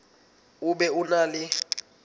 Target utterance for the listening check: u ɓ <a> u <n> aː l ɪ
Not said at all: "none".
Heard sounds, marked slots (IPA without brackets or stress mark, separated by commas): ɛ, n